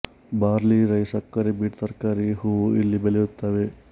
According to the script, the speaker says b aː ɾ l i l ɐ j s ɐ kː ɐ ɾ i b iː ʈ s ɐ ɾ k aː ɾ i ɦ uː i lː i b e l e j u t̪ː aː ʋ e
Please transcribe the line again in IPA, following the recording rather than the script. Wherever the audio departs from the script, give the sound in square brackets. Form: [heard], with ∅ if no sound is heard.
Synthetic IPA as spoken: b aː ɾ l i [ɾ] ɐ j s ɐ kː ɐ ɾ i b iː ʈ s ɐ ɾ k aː ɾ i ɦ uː i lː i b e l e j u t̪ː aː ʋ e